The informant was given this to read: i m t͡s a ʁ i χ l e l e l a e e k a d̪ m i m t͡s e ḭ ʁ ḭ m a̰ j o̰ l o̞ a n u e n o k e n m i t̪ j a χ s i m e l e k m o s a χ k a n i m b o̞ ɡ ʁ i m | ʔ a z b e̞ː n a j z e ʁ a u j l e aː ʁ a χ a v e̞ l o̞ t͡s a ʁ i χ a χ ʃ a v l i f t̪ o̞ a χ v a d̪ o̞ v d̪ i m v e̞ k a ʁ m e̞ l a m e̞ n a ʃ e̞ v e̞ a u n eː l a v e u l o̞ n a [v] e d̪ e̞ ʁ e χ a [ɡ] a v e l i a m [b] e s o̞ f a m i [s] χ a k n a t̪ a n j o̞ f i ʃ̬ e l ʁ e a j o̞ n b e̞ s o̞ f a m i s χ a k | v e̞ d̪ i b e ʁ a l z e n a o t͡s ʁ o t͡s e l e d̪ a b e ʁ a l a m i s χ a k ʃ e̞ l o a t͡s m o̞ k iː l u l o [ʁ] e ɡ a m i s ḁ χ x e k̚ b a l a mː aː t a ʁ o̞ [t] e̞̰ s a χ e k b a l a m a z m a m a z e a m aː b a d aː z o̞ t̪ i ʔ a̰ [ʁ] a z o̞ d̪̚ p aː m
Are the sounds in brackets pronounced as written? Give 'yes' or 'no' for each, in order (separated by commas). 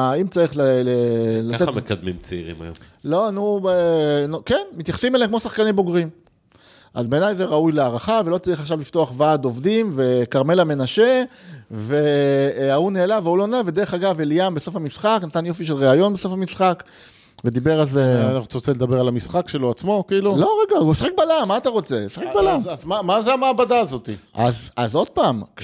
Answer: yes, yes, yes, yes, yes, no, no